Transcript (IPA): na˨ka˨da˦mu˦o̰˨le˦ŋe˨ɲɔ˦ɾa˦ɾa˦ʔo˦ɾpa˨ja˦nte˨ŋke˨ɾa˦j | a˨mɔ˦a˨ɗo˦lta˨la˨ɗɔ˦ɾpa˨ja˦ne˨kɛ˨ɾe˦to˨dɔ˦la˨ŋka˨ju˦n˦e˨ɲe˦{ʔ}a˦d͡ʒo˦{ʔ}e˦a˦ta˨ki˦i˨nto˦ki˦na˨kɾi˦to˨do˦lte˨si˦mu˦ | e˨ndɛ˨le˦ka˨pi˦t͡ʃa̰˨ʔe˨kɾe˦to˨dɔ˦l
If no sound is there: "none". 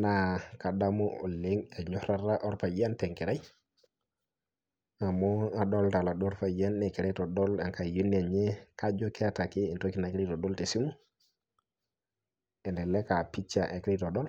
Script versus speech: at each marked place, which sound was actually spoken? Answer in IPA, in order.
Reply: k, k

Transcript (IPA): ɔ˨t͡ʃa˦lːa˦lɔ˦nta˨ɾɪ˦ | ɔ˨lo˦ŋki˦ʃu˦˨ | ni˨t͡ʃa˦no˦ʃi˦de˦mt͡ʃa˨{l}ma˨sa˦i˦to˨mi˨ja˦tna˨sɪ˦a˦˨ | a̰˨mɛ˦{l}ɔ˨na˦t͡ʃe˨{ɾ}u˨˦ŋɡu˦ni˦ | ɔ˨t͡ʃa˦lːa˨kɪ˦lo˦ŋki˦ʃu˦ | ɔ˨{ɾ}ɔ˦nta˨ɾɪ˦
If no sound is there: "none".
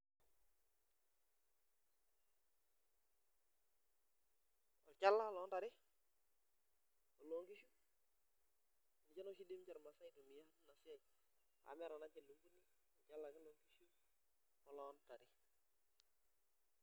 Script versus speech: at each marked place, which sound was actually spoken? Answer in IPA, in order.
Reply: ɾ, ɾ, l, l

